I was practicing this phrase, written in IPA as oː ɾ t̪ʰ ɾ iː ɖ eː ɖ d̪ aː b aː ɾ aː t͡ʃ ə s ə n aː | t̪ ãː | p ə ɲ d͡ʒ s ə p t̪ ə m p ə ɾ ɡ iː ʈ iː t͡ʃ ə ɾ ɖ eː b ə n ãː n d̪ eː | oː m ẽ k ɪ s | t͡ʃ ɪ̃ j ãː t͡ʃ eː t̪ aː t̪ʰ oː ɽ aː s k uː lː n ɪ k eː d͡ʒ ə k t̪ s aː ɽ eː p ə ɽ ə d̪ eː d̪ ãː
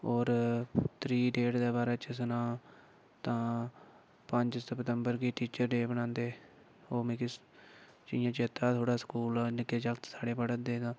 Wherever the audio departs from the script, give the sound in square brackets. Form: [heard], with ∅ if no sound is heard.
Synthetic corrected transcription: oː ɾ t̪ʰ ɾ iː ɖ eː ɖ d̪ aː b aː ɾ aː t͡ʃ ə s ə n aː | t̪ ãː | p ə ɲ d͡ʒ s ə p t̪ ə m [b] ə ɾ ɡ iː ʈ iː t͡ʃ ə ɾ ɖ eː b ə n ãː n d̪ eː | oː m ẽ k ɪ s | t͡ʃ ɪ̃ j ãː t͡ʃ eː t̪ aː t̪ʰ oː ɽ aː s k uː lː n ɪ k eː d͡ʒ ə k t̪ s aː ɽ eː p ə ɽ ə d̪ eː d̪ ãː

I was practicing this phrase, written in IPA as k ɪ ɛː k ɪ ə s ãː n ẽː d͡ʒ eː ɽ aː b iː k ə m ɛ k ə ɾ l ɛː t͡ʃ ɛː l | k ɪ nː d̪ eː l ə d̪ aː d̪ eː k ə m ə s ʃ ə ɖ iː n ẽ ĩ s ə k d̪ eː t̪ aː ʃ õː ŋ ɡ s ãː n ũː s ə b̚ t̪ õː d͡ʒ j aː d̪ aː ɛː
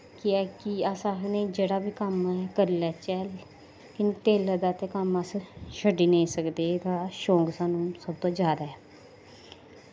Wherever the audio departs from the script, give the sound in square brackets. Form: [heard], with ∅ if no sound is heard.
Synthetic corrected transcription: k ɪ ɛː k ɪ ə s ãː n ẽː d͡ʒ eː ɽ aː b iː k ə m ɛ k ə ɾ l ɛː t͡ʃ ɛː l | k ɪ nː [t̪] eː l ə d̪ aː [t̪] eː k ə m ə s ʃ ə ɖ iː n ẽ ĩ s ə k d̪ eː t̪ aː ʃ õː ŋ ɡ s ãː n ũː s ə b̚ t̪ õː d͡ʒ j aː d̪ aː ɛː

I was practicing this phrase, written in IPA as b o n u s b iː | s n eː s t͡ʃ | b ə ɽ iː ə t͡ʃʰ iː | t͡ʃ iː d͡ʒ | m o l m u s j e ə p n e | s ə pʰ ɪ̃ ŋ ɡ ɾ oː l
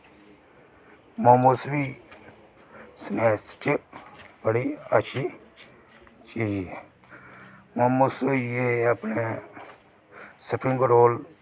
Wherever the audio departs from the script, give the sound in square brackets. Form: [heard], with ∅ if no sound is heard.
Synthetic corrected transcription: [m] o [m] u s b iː | s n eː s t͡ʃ | b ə ɽ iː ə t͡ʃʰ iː | t͡ʃ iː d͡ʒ | m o [∅] m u s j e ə p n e | s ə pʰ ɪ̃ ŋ ɡ ɾ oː l

